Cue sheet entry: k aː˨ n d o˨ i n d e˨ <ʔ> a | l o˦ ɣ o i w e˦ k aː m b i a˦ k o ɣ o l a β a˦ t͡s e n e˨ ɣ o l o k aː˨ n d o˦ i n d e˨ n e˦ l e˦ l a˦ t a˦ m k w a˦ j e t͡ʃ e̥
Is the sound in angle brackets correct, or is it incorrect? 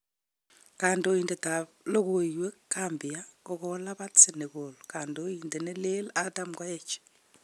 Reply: incorrect: t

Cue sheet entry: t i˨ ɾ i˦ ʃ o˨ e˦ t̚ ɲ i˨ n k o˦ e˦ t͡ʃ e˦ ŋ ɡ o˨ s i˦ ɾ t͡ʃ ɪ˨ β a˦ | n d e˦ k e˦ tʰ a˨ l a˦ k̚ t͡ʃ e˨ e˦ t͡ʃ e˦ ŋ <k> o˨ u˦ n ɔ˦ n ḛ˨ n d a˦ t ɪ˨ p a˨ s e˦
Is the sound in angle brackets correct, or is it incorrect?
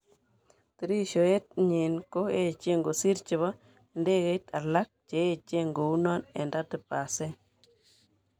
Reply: incorrect: ɡ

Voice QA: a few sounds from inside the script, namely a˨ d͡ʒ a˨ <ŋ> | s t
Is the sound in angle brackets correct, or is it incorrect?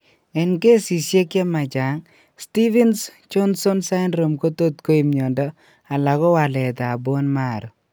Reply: correct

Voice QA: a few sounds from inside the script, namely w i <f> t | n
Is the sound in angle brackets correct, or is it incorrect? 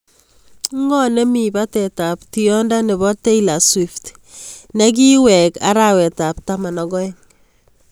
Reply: correct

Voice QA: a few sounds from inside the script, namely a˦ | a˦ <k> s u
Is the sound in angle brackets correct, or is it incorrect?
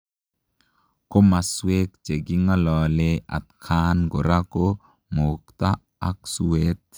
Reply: correct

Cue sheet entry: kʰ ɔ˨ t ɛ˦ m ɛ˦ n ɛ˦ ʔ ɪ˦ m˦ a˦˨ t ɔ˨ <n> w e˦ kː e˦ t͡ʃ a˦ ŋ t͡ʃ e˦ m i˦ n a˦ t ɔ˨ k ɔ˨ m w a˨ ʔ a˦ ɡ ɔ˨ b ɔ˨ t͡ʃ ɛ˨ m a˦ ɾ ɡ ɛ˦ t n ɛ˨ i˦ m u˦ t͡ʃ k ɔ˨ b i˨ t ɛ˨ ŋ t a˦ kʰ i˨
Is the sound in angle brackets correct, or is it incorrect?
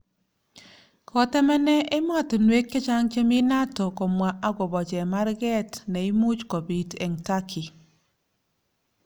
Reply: correct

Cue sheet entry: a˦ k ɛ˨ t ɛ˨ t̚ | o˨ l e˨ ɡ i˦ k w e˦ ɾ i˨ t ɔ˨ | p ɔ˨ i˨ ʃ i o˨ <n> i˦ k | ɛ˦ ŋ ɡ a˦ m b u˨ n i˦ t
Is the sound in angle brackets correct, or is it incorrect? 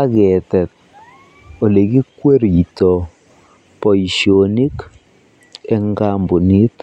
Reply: correct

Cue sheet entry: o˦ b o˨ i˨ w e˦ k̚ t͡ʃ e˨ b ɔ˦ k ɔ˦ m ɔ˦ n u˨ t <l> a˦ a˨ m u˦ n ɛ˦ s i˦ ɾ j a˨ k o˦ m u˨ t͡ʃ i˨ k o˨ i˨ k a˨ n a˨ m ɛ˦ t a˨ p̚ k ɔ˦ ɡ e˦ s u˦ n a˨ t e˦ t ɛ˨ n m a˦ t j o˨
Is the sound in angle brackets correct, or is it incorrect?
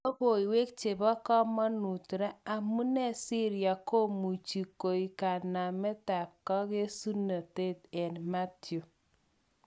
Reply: incorrect: ɾ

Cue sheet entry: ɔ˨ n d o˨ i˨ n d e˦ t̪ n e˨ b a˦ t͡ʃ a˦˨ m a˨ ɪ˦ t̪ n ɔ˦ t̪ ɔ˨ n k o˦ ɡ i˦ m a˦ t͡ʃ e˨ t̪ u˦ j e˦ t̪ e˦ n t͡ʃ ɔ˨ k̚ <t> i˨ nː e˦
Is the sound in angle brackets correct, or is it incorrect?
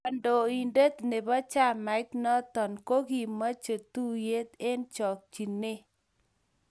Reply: incorrect: t͡ʃ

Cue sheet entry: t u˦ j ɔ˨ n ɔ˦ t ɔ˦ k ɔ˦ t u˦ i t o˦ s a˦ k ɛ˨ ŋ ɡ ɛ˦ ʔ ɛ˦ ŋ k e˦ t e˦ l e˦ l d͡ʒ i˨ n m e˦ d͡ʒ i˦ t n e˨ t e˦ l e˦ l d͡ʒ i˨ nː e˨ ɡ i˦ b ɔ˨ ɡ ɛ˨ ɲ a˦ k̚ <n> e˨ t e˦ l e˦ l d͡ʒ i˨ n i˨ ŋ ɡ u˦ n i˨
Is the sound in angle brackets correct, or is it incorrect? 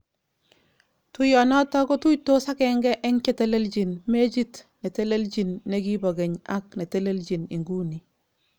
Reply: correct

